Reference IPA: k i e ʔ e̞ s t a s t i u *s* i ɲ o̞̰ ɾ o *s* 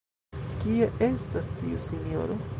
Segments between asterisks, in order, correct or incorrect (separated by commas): correct, incorrect